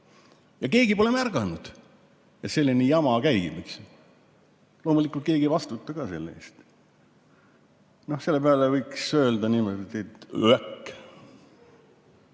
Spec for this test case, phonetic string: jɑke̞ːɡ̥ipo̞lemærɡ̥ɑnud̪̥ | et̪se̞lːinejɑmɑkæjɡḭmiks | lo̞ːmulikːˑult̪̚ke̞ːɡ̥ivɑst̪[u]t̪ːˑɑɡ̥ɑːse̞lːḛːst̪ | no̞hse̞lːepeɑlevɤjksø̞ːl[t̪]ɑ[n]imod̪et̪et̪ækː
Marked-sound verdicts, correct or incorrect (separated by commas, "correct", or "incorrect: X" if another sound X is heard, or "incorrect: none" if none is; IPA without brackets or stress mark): correct, incorrect: d̪, correct